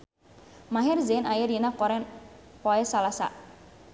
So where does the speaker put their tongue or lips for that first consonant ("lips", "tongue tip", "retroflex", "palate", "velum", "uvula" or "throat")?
lips